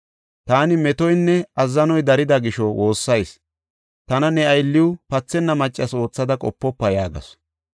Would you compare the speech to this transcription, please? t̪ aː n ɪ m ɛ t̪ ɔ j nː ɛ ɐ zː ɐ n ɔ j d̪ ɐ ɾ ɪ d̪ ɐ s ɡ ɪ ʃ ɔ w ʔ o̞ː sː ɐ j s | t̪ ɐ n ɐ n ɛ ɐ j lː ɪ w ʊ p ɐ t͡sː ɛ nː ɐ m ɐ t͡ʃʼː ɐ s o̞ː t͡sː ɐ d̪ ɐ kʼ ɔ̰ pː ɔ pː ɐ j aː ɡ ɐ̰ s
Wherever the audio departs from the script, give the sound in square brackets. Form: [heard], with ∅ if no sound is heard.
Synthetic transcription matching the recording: t̪ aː n ɪ m ɛ t̪ ɔ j nː ɛ ɐ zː ɐ n ɔ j d̪ ɐ ɾ ɪ d̪ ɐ [∅] ɡ ɪ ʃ ɔ w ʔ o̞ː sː ɐ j s | t̪ ɐ n ɐ n ɛ ɐ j lː ɪ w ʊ p ɐ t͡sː ɛ nː ɐ m ɐ t͡ʃʼː ɐ s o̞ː t͡sː ɐ d̪ ɐ kʼ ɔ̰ pː ɔ pː ɐ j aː ɡ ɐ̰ s